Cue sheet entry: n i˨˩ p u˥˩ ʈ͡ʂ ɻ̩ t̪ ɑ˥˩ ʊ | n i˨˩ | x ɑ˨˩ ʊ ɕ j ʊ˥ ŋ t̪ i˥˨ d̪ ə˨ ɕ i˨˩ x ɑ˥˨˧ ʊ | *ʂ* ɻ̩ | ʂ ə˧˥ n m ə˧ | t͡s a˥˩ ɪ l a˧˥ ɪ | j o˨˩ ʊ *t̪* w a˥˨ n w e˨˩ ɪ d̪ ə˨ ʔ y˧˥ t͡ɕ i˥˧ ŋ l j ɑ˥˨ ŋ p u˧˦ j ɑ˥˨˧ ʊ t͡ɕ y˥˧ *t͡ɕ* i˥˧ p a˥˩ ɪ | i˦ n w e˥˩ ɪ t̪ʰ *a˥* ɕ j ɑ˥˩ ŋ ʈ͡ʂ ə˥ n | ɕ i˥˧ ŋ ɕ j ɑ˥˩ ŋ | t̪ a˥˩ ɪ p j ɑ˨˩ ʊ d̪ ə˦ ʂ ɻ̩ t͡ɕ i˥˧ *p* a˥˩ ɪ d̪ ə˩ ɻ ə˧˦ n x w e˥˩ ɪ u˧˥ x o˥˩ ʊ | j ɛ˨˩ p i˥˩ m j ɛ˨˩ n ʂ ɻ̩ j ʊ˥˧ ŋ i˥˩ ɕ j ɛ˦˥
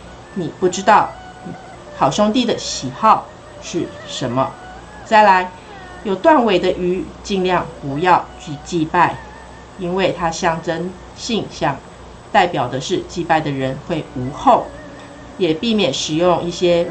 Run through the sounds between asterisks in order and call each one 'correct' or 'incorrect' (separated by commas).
correct, correct, correct, correct, correct